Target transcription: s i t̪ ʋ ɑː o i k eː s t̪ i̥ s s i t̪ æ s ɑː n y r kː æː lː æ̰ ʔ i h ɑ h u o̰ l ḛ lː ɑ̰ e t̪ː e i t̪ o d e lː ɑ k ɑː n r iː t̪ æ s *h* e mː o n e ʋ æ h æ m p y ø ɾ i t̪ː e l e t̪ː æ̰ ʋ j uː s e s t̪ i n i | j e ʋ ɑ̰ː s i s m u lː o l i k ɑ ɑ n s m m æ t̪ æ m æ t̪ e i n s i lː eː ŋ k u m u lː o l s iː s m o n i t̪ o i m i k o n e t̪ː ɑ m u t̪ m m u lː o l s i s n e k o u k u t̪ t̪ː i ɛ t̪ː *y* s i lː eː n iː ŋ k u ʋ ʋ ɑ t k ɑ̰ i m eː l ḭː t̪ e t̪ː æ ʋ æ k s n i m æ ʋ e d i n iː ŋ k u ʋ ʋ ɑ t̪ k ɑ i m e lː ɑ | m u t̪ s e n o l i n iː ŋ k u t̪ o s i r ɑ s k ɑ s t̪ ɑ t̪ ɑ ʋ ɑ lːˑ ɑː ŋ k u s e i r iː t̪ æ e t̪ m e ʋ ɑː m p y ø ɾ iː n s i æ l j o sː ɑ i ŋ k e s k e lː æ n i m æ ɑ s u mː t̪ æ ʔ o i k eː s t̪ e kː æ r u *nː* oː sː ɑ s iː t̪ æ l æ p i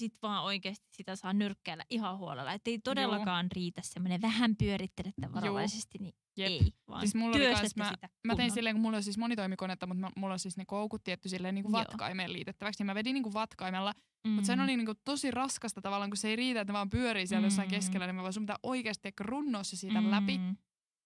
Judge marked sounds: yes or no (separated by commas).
no, yes, yes